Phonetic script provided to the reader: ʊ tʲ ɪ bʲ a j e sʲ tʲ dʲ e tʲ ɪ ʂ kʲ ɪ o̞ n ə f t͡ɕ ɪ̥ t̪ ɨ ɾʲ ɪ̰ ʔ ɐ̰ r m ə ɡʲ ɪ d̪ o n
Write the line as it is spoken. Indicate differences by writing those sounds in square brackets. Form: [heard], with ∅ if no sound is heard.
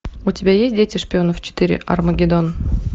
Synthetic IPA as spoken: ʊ tʲ ɪ bʲ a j e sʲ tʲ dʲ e tʲ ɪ ʂ [pʲ] ɪ o̞ n ə f t͡ɕ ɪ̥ t̪ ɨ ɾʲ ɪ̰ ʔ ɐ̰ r m ə ɡʲ ɪ d̪ o n

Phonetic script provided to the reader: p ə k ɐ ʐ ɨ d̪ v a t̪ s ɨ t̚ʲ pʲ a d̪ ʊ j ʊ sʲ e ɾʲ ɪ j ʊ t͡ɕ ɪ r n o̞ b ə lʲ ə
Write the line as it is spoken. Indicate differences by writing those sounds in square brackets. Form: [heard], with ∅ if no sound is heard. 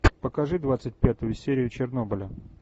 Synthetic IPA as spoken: p ə k ɐ ʐ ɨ d̪ v a t̪ s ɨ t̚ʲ pʲ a [t̪] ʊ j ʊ sʲ e ɾʲ ɪ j ʊ t͡ɕ ɪ r n o̞ b ə lʲ ə

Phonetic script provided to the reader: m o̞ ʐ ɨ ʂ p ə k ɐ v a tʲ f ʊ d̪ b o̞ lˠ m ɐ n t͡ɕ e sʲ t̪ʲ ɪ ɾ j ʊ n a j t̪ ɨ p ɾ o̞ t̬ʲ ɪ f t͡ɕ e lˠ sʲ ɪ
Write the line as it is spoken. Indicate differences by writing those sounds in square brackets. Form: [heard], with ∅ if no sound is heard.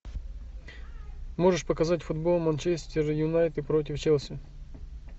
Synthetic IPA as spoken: m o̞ ʐ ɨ ʂ p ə k ɐ [z] a tʲ f ʊ d̪ b o̞ lˠ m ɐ n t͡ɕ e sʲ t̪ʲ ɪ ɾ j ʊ n a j t̪ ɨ p ɾ o̞ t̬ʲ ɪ f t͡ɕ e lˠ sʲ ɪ

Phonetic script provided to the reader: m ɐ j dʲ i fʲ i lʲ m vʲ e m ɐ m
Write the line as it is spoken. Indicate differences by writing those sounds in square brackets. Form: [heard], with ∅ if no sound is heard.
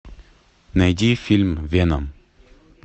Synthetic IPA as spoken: [n] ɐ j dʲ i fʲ i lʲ m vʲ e [n] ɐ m

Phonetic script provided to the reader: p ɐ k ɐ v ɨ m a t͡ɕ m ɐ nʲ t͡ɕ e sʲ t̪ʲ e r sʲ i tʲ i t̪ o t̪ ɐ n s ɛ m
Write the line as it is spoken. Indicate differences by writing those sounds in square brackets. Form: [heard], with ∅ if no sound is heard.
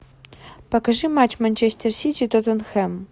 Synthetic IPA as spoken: p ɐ k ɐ [ʐ] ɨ m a t͡ɕ m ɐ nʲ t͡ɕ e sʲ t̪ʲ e r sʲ i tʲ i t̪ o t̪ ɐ n [x] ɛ m

